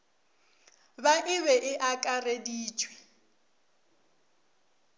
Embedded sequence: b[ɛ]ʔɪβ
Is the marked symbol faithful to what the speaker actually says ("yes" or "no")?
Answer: no